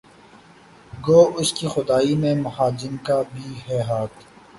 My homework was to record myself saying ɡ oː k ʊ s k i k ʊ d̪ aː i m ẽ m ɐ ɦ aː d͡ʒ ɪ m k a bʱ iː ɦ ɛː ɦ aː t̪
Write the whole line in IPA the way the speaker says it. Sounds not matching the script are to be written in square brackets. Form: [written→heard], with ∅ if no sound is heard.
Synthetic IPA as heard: ɡ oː [k→∅] ʊ s k i [k→x] ʊ d̪ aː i m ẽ m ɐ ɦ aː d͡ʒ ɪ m k a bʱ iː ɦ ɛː ɦ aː t̪